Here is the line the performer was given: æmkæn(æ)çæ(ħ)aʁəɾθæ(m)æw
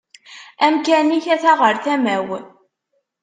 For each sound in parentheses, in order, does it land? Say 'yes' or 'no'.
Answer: no, no, yes

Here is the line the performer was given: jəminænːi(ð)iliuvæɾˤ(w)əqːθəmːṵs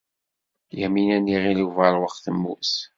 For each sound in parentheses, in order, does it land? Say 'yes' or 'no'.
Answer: no, yes

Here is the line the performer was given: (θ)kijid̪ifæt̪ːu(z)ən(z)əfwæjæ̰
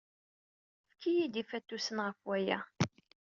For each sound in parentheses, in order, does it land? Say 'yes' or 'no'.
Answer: no, no, no

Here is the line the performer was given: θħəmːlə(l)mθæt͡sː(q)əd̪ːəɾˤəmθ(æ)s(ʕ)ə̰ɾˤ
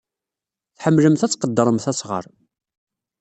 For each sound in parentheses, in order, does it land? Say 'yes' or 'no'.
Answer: no, yes, yes, no

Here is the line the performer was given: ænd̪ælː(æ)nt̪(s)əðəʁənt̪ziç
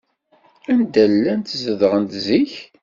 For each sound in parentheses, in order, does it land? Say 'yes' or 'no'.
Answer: yes, no

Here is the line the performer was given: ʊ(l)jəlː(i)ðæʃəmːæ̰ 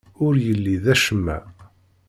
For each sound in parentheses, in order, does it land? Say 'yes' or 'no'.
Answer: no, yes

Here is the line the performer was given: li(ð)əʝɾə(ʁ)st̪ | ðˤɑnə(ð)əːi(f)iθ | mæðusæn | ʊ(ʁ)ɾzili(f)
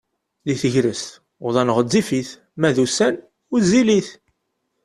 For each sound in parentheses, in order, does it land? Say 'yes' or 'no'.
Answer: no, no, no, yes, no, no

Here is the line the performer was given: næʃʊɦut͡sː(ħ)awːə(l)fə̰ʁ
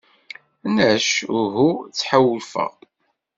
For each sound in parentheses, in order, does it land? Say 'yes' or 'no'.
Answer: yes, yes

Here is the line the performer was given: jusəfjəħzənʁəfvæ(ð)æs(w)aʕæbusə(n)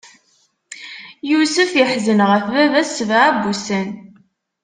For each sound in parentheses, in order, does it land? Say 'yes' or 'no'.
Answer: no, no, yes

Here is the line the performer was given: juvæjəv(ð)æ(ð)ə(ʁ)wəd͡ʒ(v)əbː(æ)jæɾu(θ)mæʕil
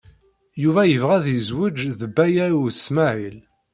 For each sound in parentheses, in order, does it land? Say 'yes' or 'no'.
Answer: no, yes, no, no, yes, no

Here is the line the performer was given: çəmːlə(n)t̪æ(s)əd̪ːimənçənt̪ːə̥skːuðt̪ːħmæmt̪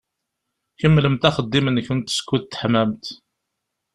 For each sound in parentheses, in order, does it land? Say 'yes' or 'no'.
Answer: no, no

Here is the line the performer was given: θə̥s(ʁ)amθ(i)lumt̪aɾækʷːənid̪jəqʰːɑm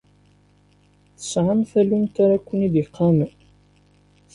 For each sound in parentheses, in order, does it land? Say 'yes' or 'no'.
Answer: no, no

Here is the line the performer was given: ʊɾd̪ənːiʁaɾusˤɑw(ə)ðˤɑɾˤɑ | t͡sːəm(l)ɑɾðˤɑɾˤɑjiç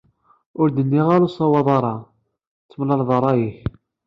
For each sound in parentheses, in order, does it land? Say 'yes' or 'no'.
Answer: no, yes

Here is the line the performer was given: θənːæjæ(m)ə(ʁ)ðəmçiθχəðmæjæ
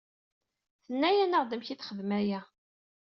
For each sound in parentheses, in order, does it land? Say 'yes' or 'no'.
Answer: no, yes

